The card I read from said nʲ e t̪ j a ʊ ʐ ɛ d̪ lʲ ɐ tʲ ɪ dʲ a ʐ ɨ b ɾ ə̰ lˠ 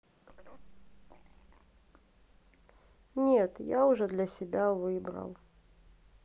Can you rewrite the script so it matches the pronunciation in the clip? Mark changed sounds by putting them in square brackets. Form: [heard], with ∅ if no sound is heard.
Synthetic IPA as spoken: nʲ e t̪ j a ʊ ʐ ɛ d̪ lʲ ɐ [sʲ] ɪ [bʲ] a [v] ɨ b ɾ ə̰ lˠ